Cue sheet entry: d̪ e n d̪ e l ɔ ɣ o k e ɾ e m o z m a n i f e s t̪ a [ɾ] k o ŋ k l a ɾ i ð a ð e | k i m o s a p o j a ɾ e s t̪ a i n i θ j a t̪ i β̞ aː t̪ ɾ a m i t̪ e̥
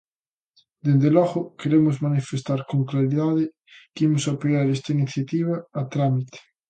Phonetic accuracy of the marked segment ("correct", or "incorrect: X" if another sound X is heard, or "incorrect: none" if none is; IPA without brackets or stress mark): correct